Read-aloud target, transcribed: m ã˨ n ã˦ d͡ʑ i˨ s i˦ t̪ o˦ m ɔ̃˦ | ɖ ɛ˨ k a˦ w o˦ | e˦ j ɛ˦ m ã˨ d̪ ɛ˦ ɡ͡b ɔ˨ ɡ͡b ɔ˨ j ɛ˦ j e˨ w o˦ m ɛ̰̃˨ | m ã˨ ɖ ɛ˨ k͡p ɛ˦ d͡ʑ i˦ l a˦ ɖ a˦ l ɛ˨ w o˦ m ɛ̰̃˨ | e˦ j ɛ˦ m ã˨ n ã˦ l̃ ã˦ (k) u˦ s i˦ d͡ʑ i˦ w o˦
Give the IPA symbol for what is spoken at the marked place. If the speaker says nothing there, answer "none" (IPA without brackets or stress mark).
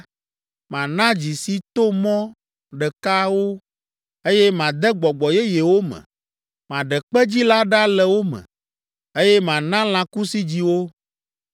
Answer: k